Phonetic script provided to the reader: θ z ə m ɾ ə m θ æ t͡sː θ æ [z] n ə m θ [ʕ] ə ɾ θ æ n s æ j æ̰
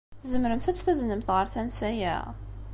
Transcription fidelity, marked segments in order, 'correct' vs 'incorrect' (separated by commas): correct, incorrect